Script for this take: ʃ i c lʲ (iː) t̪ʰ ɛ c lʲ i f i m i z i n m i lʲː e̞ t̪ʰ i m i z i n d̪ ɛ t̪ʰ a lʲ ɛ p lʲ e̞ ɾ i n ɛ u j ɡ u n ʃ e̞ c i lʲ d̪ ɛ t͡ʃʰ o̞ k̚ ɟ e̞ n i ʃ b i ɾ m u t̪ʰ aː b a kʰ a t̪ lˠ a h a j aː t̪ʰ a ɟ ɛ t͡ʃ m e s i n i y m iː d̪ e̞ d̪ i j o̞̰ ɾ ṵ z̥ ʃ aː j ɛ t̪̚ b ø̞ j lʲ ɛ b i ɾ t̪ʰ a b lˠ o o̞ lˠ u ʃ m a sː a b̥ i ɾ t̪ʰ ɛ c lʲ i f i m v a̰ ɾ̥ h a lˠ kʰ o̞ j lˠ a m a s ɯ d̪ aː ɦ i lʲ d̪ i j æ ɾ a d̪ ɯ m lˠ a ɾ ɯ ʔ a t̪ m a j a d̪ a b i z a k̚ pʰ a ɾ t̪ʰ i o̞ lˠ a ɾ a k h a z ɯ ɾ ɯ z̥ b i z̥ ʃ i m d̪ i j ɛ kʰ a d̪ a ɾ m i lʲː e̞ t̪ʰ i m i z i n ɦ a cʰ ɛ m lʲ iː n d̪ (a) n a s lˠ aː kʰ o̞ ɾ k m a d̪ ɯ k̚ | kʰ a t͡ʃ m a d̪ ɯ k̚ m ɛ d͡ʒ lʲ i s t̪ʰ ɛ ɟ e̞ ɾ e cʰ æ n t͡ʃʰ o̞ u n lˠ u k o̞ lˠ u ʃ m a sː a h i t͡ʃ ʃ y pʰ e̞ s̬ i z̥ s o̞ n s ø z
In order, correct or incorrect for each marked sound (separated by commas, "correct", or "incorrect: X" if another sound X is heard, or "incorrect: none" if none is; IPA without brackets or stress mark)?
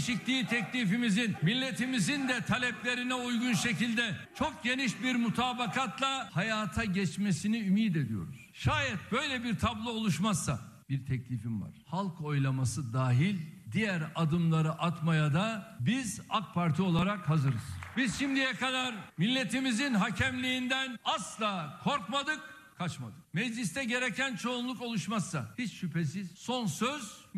correct, incorrect: æ